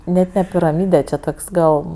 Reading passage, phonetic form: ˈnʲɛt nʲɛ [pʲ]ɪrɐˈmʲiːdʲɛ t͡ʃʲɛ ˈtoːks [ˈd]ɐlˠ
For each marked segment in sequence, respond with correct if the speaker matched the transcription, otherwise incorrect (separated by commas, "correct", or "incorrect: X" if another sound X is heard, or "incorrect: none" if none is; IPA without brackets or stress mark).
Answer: correct, incorrect: ɡ